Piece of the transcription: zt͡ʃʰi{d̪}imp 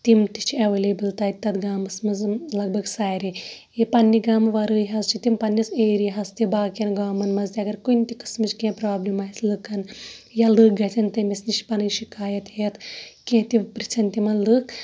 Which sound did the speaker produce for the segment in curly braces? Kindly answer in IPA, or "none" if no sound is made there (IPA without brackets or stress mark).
t̪